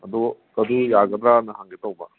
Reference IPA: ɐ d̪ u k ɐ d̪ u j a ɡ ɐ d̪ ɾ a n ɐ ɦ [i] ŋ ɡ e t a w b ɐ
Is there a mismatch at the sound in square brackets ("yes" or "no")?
yes